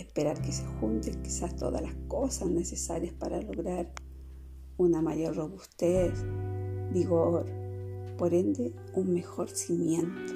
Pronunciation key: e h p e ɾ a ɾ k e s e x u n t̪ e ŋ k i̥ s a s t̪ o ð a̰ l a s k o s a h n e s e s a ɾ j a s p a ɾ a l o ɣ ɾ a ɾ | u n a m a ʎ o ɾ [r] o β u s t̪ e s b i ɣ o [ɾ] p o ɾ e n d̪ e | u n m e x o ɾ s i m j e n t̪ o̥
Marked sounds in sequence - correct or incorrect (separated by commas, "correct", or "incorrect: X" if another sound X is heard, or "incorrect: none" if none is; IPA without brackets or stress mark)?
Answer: correct, correct